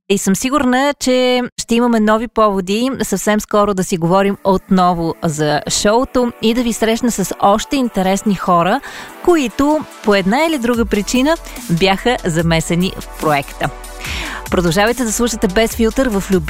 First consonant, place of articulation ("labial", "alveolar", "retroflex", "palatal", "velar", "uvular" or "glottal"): alveolar